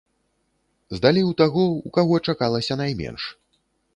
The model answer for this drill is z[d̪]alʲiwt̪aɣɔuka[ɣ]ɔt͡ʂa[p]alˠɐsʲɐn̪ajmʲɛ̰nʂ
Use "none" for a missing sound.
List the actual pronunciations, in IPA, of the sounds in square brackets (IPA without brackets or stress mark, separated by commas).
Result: d̪, ɣ, k